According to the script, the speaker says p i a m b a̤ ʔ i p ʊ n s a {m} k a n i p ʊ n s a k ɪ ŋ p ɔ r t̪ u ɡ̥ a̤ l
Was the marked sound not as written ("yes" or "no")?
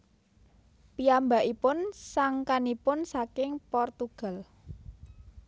yes